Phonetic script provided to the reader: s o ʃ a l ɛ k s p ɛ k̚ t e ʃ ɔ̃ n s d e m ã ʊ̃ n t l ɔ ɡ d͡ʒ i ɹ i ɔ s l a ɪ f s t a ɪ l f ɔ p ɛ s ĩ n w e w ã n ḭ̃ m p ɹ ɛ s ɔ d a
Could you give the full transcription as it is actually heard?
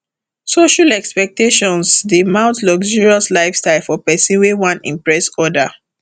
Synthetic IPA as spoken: s o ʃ a l ɛ k s p ɛ k̚ t e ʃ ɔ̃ n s d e m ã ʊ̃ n t l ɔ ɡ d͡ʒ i ɹ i ɔ s l a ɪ f s t a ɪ l f ɔ p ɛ s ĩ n w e w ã n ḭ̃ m p ɹ ɛ s ɔ d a

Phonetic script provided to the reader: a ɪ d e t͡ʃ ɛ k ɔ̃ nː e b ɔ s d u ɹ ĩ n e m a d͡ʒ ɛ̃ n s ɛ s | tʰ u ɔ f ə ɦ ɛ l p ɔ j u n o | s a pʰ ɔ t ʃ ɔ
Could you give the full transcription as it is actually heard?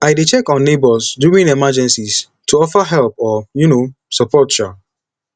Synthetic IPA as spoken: a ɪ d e t͡ʃ ɛ k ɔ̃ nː e b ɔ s d u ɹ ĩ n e m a d͡ʒ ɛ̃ n s i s | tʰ u ɔ f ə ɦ ɛ l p ɔ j u n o | s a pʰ ɔ t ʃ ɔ

